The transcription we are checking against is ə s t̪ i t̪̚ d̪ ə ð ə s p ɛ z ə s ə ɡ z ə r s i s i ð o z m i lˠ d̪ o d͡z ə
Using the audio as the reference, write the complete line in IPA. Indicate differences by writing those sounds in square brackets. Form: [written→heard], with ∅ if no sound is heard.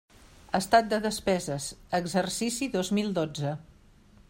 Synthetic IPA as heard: ə s t̪ [i→a] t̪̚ d̪ ə ð ə s p ɛ z ə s ə ɡ z ə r s i s i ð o z m i lˠ d̪ o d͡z ə